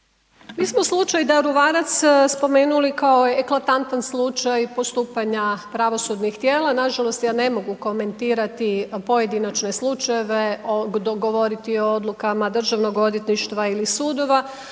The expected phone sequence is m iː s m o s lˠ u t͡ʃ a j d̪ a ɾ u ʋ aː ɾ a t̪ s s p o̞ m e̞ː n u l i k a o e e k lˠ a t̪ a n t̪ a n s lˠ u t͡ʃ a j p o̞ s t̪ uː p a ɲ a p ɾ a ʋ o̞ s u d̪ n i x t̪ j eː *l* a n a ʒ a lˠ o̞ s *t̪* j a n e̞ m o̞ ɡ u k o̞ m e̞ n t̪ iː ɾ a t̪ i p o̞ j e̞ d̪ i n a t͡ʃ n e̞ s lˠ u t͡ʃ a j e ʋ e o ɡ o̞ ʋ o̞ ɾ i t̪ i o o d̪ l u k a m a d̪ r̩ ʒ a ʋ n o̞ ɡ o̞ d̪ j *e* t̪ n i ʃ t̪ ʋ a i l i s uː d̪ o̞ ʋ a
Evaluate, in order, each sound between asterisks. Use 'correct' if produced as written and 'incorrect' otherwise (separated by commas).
correct, correct, correct